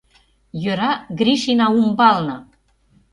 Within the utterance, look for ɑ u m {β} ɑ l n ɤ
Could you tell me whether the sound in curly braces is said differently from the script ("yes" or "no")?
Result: yes